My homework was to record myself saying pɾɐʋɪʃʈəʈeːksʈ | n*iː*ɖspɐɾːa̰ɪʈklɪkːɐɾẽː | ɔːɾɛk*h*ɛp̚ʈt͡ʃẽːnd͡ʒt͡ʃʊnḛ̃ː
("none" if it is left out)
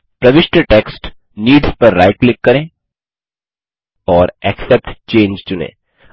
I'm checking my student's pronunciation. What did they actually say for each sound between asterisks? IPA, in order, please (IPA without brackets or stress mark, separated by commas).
iː, s